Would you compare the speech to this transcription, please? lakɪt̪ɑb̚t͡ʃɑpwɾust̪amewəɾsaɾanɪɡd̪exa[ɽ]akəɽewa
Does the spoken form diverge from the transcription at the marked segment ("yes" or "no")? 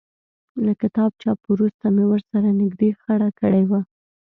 no